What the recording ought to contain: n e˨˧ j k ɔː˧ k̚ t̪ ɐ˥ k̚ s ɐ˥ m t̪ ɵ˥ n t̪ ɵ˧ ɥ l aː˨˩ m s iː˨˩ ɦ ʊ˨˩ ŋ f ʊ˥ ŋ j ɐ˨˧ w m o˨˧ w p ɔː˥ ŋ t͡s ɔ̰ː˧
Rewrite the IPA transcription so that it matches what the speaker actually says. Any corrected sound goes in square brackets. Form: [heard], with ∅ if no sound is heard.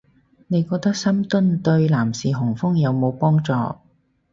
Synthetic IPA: n e˨˧ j k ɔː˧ k̚ t̪ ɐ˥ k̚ s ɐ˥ m t̪ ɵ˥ n t̪ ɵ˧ ɥ l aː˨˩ m s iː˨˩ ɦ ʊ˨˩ ŋ f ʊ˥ ŋ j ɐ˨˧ w m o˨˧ w p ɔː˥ ŋ t͡s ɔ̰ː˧